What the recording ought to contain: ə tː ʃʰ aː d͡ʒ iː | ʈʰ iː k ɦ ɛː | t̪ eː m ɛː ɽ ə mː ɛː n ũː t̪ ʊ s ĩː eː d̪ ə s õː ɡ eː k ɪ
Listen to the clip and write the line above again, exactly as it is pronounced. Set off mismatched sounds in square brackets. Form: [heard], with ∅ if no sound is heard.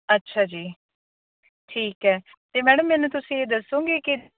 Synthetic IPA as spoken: ə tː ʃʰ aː d͡ʒ iː | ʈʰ iː k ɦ ɛː | t̪ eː m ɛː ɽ ə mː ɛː n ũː t̪ ʊ s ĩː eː d̪ ə s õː ɡ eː k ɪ